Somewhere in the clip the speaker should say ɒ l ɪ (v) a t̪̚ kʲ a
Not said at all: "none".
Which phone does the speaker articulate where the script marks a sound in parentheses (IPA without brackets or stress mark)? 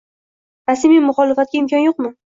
f